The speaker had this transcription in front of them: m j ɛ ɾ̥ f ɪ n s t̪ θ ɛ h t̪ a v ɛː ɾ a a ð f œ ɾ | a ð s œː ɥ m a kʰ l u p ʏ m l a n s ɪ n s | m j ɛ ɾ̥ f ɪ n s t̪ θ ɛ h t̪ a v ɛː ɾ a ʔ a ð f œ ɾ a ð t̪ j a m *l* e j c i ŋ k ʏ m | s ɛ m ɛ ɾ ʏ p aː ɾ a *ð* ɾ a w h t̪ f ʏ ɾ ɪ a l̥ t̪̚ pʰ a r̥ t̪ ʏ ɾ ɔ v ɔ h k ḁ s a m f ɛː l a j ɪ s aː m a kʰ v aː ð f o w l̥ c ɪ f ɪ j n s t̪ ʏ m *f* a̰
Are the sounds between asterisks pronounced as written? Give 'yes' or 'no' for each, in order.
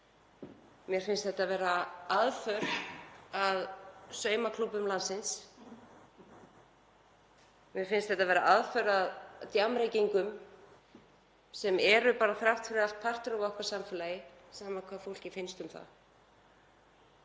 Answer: no, no, no

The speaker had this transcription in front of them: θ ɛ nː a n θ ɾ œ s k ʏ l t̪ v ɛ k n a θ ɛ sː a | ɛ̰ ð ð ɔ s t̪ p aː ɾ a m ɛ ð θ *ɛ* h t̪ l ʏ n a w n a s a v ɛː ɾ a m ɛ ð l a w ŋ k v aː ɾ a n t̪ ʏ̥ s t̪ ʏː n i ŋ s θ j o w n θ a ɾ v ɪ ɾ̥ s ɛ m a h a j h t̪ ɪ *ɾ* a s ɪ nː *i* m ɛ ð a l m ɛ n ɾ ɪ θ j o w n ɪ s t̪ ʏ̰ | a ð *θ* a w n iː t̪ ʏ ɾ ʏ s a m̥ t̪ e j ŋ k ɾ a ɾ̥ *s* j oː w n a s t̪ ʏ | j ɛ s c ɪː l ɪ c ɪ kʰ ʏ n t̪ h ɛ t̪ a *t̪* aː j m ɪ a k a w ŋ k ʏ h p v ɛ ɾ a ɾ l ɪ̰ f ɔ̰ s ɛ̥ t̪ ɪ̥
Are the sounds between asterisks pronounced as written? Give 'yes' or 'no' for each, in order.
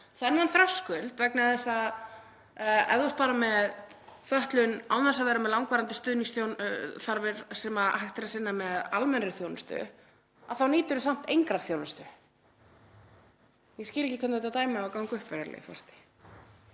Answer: no, yes, no, yes, no, yes

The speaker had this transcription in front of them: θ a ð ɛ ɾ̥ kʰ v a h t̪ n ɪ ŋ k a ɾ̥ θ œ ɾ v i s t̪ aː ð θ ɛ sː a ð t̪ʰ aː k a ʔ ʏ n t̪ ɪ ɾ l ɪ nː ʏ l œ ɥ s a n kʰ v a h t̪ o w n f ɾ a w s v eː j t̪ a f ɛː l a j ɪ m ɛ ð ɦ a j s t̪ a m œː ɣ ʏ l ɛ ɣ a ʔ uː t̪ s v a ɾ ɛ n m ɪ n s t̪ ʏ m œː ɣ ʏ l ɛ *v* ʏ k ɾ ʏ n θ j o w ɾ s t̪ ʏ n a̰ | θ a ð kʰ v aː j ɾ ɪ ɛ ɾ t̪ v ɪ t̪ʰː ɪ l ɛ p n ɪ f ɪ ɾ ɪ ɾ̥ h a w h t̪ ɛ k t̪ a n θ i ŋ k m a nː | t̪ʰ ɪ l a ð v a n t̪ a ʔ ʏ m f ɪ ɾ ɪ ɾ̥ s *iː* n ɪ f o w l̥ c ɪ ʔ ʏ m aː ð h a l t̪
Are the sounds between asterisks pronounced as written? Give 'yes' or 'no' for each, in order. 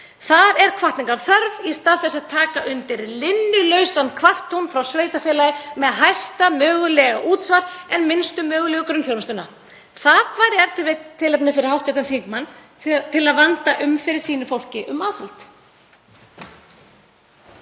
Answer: no, yes

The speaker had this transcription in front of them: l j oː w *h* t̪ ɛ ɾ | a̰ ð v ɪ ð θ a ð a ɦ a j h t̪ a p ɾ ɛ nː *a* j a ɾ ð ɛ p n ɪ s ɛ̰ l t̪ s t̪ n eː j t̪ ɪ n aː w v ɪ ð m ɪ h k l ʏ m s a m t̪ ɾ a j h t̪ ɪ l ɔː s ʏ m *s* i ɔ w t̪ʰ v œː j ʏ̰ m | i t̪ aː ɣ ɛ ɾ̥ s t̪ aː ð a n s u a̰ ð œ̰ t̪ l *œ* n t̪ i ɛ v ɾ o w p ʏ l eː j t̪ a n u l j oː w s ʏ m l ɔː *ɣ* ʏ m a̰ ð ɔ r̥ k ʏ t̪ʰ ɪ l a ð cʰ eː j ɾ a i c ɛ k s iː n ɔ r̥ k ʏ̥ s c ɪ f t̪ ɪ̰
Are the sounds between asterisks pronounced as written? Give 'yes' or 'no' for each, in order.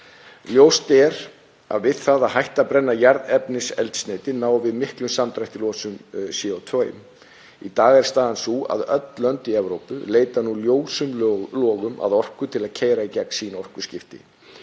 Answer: no, yes, yes, yes, yes

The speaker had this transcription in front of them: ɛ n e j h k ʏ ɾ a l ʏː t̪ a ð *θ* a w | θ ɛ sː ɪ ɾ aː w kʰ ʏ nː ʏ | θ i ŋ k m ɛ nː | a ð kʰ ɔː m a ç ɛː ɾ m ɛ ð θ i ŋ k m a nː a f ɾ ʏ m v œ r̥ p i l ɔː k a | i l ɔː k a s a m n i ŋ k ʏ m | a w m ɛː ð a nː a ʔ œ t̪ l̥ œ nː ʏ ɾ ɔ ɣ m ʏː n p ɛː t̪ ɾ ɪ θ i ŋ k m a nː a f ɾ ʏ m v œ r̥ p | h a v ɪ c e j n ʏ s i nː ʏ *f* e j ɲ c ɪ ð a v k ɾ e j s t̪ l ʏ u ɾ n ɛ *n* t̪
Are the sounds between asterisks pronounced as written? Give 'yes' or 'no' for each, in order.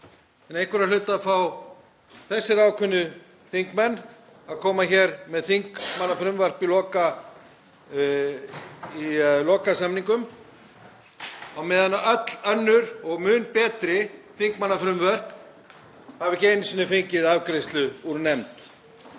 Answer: no, yes, no

